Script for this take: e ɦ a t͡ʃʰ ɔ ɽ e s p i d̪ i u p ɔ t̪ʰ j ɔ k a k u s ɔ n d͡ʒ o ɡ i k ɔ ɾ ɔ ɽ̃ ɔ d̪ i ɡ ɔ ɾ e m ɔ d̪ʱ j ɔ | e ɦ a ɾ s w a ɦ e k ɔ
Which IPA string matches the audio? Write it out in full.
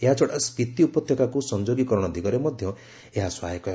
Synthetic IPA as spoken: e ɦ a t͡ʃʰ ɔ ɽ a s p i t̪ i u p ɔ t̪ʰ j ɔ k a k u s ɔ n d͡ʒ o ɡ i k ɔ ɾ ɔ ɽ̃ ɔ d̪ i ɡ ɔ ɾ e m ɔ d̪ʱ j ɔ | e ɦ a s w a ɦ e k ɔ